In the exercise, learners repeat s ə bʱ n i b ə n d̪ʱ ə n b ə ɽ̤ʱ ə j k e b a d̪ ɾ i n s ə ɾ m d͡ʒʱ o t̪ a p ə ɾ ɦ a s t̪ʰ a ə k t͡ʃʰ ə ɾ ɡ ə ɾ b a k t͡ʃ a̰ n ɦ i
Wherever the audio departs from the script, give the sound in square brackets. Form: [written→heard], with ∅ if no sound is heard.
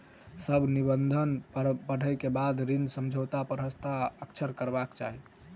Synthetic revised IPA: s ə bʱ n i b ə n d̪ʱ ə n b ə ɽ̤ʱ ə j k e b a d̪ ɾ i n s ə [ɾ→∅] m d͡ʒʱ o t̪ a p ə ɾ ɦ [a→ə] s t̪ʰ a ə k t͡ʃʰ ə ɾ [ɡ→k] ə ɾ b a k t͡ʃ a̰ [n→∅] ɦ i